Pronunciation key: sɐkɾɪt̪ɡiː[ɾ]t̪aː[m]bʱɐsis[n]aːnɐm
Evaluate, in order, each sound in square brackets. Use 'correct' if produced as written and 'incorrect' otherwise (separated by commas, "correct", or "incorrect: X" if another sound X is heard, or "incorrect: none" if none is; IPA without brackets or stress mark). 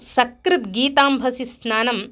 incorrect: none, correct, correct